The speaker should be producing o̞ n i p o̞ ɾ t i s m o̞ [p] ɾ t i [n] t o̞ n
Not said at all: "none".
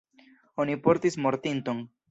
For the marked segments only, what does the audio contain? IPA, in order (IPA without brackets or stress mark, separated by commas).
none, n